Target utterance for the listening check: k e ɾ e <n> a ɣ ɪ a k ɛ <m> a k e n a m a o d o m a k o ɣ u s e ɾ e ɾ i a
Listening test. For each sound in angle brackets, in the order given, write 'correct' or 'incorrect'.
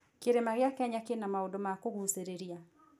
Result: incorrect, incorrect

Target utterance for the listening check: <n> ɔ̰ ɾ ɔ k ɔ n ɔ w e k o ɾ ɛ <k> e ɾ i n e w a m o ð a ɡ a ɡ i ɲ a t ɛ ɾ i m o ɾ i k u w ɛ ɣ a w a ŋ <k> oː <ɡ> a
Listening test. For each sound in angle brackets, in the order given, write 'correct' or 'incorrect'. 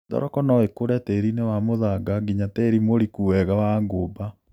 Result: incorrect, incorrect, incorrect, incorrect

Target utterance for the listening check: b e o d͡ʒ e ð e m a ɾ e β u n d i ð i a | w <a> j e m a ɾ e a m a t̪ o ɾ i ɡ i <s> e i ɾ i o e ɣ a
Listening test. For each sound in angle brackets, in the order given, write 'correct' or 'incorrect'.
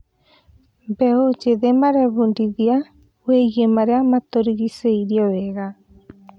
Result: incorrect, correct

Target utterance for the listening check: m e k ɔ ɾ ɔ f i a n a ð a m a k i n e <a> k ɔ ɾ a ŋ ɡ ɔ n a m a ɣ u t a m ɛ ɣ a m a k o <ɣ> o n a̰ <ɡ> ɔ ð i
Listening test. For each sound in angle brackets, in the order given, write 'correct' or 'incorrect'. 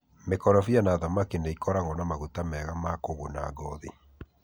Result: incorrect, correct, correct

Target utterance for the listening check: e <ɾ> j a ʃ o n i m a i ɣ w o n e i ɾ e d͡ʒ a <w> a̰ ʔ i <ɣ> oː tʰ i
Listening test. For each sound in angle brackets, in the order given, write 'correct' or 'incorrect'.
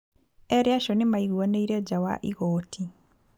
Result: correct, correct, correct

